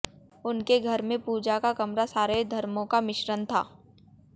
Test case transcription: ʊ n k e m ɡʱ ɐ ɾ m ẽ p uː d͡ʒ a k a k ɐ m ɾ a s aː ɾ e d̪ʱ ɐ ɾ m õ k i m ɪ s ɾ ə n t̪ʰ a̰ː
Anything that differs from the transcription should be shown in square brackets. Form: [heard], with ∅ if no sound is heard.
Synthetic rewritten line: ʊ n k e [∅] ɡʱ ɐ ɾ m ẽ p uː d͡ʒ a k a k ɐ m ɾ a s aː ɾ e d̪ʱ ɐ ɾ m õ k [a] m ɪ [ʃ] ɾ ə n t̪ʰ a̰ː